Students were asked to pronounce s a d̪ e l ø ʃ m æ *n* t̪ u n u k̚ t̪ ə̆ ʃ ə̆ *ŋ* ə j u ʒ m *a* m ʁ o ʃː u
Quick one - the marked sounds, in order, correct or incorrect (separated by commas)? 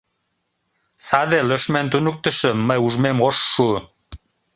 correct, incorrect, incorrect